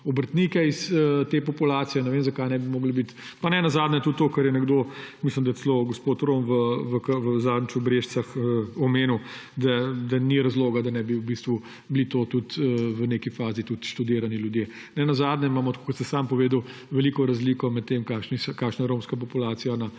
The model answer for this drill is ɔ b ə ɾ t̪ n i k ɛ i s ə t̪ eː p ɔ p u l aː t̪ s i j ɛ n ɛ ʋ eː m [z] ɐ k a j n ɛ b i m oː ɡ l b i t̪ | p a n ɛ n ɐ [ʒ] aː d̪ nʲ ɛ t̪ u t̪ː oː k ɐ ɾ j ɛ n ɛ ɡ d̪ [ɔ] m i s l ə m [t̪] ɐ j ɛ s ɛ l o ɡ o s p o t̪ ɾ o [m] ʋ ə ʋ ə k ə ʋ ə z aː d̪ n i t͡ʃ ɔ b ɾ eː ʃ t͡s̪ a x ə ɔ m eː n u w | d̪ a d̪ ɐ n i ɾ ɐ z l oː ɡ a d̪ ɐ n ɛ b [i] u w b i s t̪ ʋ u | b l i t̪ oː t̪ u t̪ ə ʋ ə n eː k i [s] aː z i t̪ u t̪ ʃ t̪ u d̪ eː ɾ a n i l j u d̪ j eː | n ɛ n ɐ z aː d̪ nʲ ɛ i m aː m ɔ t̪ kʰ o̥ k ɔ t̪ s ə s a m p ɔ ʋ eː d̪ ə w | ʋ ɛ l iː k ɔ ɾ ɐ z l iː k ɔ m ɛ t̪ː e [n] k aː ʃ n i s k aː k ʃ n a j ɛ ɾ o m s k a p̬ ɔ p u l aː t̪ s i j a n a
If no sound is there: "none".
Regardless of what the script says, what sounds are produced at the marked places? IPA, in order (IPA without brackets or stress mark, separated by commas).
z, z, o, d̪, m, i, f, m